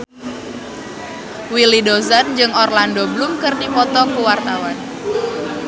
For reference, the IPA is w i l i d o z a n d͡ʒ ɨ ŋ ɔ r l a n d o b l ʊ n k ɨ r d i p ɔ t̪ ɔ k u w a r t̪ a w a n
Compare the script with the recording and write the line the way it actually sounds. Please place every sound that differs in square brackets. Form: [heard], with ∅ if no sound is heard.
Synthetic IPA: w i l i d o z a n d͡ʒ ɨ ŋ ɔ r l a n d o b l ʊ [m] k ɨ r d i p ɔ t̪ ɔ k u w a r t̪ a w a n